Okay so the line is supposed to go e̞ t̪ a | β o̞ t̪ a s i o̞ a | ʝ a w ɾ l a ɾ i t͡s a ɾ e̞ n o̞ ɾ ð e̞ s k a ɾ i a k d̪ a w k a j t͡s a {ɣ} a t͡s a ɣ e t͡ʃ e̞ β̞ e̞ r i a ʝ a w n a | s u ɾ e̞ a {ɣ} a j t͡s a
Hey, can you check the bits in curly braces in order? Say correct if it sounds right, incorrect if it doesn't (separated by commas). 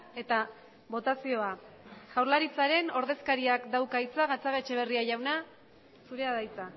correct, incorrect